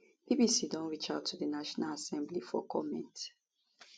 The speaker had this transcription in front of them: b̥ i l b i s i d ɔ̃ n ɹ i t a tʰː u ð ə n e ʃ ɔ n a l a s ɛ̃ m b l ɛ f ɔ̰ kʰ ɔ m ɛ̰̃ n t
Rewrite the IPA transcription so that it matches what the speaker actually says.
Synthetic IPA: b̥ i b i s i d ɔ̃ n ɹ i t͡ʃ a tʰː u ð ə n a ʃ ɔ n a l a s ɛ̃ m b l i f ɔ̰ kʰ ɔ m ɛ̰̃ n t